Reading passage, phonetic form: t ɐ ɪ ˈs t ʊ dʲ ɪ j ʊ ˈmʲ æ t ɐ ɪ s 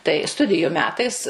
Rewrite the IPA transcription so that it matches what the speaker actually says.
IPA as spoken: t ɐ ɪ ˈs t ʊ dʲ ɪ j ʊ ˈmʲ æː t ɐ ɪ s